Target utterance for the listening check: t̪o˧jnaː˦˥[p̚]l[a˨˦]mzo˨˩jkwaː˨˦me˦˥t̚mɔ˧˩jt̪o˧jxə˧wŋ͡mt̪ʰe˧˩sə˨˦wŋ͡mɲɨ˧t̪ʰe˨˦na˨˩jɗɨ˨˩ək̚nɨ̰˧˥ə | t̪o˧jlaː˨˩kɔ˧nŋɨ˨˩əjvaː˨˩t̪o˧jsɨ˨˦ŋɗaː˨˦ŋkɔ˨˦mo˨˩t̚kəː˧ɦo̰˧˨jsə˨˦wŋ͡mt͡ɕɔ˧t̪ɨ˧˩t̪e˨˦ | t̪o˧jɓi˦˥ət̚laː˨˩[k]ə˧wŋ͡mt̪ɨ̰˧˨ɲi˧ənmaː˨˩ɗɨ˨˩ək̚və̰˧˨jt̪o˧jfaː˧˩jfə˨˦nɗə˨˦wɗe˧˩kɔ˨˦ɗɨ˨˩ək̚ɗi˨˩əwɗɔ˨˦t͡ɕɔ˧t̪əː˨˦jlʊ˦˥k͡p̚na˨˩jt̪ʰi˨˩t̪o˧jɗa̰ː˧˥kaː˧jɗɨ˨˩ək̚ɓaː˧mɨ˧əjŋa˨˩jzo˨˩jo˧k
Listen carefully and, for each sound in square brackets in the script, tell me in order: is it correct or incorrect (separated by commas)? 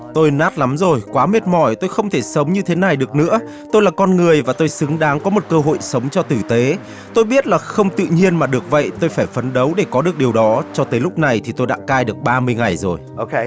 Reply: incorrect, correct, incorrect